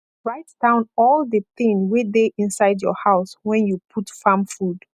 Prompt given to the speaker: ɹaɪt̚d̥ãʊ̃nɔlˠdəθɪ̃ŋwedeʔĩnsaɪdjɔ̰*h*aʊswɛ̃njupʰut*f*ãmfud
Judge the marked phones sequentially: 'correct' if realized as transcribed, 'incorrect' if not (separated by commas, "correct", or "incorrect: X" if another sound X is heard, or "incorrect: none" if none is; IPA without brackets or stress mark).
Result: correct, correct